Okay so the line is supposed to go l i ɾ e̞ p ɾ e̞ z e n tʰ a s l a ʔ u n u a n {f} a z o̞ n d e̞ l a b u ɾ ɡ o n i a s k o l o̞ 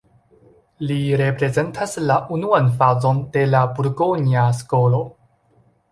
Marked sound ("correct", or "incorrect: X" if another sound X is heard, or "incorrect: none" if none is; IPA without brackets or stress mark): correct